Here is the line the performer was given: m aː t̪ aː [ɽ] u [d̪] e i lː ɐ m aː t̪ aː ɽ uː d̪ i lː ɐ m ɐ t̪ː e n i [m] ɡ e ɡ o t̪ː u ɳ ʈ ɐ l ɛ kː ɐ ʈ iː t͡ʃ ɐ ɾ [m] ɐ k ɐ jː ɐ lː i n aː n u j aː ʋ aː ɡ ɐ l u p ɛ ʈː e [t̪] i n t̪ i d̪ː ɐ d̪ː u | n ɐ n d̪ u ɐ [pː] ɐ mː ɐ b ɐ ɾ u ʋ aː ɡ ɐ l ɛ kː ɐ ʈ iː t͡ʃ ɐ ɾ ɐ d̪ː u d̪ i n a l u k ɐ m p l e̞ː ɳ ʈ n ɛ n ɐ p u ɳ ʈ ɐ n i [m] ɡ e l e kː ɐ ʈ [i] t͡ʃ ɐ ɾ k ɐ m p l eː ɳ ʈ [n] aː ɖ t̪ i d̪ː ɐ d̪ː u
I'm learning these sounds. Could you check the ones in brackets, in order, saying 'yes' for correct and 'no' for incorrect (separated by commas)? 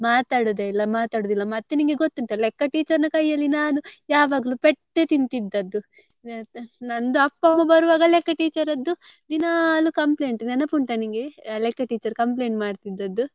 yes, yes, no, no, yes, yes, no, no, no